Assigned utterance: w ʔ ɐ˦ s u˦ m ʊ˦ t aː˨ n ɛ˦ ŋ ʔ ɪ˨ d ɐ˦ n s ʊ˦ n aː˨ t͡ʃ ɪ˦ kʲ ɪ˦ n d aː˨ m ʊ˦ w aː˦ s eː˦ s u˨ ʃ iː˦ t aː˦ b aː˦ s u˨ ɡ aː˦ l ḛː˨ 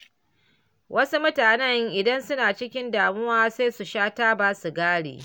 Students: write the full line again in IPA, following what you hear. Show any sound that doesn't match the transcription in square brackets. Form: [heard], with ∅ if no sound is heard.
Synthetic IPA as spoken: w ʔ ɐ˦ s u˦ m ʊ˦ t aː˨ n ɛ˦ ŋ ʔ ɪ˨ d ɐ˦ n s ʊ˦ n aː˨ t͡ʃ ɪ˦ kʲ ɪ˦ n d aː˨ m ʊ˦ w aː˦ s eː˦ s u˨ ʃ [aː˦] t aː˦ b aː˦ s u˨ ɡ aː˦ [ɽ] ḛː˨